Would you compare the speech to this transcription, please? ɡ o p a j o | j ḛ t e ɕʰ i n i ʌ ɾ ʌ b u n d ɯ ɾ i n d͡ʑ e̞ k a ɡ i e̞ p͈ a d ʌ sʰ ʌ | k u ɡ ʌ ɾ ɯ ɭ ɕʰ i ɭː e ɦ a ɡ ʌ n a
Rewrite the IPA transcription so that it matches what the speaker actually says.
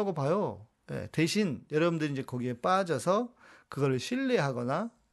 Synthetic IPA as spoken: ɡ o p a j o | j ḛ t e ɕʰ i n j ʌ ɾ ʌ b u n d ɯ ɾ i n d͡ʑ e̞ k ʌ ɡ i e̞ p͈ a d͡ʑ ʌ sʰ ʌ | k ɯ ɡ ʌ ɾ ɯ ɭ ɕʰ i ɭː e ɦ a ɡ ʌ n a